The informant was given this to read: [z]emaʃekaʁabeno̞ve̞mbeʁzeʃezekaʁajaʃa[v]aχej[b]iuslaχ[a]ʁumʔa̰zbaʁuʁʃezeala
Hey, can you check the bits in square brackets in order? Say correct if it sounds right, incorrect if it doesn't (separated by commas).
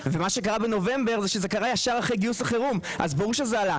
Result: incorrect, incorrect, incorrect, incorrect